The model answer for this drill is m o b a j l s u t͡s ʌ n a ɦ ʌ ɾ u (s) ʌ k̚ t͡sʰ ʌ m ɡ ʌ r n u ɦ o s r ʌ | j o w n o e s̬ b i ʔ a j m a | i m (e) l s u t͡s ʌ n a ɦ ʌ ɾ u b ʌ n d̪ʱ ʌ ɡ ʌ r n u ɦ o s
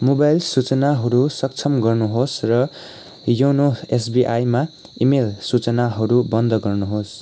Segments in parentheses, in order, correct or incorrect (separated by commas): correct, correct